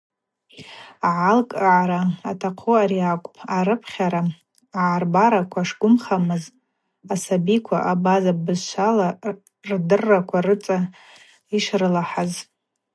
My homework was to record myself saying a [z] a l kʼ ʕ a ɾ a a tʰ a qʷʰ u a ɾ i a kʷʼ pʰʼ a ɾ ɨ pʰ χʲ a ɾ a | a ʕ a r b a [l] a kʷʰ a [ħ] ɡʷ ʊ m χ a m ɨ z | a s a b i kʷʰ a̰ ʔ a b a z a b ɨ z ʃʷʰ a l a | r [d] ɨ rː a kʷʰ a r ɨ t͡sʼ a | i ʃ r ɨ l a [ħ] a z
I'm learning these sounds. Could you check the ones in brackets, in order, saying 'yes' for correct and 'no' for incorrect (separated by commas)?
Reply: no, no, no, yes, yes